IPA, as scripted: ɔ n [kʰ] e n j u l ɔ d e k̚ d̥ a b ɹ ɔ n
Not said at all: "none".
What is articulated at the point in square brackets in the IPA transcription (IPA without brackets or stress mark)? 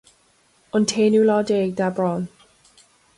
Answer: tʰ